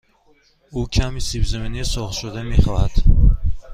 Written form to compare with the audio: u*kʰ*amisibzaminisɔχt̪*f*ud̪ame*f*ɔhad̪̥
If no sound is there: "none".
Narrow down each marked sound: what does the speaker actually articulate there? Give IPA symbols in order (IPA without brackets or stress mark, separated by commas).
kʰ, ʃ, χ